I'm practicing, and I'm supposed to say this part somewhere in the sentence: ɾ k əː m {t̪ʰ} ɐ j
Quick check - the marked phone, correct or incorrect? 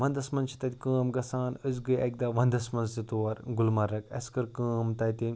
incorrect